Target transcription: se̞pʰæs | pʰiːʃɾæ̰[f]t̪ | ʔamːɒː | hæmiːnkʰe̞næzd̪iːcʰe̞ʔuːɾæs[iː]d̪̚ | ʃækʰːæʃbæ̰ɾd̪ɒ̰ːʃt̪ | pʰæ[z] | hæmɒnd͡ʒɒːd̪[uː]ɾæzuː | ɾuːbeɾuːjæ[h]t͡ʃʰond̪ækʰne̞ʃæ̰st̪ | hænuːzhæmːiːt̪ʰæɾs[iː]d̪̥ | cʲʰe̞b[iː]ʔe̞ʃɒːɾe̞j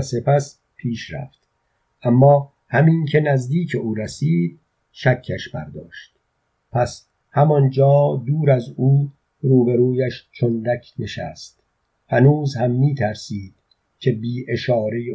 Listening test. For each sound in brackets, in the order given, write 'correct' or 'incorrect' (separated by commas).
correct, correct, incorrect, correct, incorrect, correct, correct